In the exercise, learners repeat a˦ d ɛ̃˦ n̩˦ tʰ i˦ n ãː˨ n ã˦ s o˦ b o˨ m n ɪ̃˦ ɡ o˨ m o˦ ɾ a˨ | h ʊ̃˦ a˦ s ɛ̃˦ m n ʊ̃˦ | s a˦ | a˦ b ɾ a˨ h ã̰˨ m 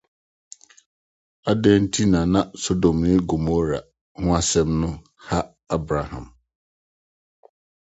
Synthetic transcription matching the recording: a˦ d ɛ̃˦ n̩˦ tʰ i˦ n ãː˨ n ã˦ s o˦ d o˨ m n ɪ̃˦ ɡ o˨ m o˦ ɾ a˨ | h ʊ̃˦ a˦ s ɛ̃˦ m n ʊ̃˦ | h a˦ | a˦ b ɾ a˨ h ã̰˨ m